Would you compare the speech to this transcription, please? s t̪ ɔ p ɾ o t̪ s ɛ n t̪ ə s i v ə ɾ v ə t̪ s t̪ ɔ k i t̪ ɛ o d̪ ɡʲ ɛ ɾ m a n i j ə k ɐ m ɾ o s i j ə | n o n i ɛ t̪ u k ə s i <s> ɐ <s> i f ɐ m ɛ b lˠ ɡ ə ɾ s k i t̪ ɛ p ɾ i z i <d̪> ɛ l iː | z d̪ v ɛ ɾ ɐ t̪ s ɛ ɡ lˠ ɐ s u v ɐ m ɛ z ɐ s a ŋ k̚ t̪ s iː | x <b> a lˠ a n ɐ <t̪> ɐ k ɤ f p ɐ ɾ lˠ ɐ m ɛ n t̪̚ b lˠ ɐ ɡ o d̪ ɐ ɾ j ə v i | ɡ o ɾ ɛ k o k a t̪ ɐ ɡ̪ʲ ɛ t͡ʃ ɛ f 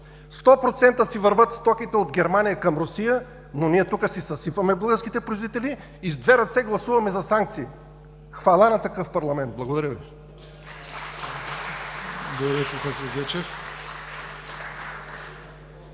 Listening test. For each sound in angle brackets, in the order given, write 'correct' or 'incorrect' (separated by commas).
correct, correct, incorrect, incorrect, correct